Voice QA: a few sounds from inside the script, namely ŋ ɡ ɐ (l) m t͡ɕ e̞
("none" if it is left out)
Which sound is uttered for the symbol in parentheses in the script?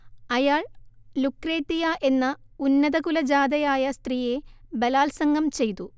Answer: none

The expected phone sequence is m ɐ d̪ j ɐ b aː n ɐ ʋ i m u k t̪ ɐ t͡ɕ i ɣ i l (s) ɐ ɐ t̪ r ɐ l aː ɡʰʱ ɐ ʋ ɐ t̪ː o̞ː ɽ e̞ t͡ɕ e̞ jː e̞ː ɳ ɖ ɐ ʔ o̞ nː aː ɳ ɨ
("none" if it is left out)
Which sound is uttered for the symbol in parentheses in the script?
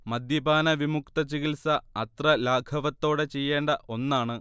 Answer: s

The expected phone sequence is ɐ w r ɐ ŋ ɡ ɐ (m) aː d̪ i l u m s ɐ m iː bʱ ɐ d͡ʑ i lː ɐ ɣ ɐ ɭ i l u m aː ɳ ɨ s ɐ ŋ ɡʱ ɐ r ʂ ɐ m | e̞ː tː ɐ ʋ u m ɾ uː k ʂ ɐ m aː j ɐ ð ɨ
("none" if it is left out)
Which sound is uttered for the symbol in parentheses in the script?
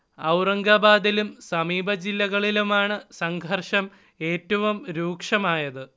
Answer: b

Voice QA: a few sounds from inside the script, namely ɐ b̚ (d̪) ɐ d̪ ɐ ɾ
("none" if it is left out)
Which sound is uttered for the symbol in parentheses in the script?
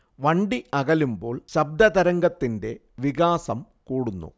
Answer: d̪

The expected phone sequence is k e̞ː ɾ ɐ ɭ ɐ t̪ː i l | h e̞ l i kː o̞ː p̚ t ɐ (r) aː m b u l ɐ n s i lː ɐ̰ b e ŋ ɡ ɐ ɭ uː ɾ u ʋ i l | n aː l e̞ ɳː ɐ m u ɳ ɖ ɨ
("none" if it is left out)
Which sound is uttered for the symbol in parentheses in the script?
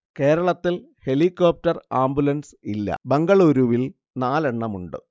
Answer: r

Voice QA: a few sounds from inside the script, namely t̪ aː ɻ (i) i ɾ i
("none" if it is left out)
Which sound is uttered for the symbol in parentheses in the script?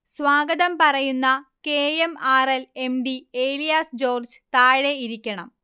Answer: e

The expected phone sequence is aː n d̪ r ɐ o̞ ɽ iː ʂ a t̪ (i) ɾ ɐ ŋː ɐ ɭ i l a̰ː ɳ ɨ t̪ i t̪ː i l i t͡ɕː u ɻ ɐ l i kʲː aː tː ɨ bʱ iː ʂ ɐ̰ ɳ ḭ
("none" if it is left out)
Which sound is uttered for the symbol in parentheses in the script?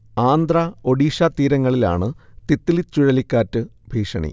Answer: iː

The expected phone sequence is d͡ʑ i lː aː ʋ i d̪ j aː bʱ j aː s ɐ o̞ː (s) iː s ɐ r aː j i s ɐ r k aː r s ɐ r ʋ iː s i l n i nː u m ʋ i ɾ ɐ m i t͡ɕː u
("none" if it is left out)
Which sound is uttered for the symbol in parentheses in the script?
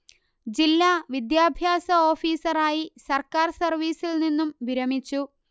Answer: f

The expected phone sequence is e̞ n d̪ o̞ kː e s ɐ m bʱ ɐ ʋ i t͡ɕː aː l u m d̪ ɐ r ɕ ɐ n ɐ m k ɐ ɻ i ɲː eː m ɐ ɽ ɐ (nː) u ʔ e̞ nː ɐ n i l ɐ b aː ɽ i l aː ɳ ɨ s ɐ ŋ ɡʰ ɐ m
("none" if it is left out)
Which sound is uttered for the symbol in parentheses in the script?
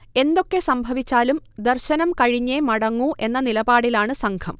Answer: ŋː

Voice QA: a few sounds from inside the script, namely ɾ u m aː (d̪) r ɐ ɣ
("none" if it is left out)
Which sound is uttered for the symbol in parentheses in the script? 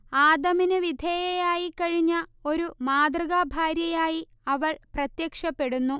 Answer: d̪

